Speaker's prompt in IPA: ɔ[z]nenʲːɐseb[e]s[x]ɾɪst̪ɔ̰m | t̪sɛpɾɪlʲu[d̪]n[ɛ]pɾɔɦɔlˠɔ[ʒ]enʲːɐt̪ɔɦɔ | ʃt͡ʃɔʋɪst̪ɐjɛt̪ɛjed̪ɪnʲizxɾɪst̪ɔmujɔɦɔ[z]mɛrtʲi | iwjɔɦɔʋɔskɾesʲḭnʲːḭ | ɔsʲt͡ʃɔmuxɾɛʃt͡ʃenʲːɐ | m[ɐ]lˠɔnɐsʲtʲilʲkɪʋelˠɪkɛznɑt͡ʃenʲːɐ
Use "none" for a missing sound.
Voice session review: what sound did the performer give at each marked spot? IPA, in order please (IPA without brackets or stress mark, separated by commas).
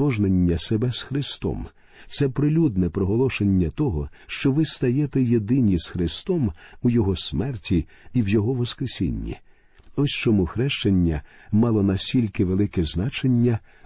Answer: ʒ, ɛ, x, d̪, ɛ, ʃ, s, ɑ